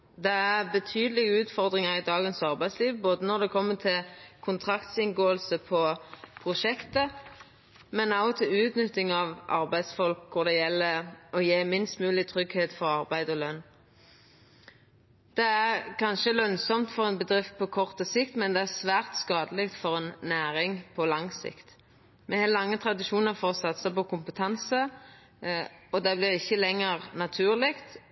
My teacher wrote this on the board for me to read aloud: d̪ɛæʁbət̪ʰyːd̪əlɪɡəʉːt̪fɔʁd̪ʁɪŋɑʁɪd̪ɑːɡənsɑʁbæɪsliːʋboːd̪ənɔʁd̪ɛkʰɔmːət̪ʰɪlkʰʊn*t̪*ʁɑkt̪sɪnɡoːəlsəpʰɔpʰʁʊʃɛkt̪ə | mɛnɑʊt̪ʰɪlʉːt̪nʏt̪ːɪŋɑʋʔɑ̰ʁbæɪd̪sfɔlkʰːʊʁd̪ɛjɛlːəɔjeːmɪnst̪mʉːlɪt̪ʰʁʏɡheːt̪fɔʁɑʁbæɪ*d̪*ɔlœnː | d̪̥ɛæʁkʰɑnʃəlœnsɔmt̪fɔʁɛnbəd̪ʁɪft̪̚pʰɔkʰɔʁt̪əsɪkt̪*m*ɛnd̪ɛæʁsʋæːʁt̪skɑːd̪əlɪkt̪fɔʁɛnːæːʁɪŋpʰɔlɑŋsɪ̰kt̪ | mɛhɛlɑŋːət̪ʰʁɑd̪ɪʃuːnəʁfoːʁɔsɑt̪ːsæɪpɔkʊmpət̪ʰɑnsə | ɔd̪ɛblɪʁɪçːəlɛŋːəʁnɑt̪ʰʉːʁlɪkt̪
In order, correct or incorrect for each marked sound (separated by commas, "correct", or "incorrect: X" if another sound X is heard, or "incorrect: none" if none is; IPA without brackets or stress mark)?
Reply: incorrect: t̪ʰ, correct, correct